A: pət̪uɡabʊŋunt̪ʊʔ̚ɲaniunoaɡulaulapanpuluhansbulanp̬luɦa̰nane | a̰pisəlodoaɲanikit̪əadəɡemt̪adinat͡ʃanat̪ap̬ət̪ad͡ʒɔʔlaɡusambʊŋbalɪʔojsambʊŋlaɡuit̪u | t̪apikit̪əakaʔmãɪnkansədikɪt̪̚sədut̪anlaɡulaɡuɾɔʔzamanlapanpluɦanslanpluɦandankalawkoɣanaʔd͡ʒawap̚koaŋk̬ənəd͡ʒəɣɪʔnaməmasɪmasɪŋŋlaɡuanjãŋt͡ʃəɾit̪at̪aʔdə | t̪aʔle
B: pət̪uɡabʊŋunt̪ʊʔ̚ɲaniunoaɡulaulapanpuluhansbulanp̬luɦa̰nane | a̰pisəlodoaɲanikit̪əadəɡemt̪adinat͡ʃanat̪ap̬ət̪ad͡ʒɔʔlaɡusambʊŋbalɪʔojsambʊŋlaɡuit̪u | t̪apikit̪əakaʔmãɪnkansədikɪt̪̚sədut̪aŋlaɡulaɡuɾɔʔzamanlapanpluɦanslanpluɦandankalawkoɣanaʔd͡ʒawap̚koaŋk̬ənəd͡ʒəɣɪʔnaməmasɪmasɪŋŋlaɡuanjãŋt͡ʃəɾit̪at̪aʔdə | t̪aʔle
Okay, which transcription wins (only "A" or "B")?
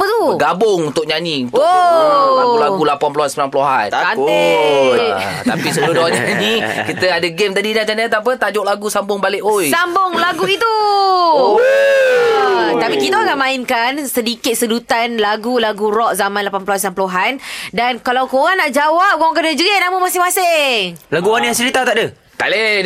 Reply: A